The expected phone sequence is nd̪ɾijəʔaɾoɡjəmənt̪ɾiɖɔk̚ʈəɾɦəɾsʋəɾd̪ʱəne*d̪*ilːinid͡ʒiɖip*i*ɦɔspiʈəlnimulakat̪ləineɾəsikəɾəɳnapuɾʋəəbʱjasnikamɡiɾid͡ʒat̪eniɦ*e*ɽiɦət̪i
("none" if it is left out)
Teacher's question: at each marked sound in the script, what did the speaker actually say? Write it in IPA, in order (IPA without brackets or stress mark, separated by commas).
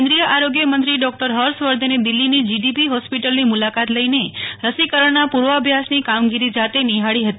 d̪, i, a